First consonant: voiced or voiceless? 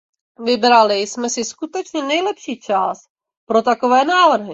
voiced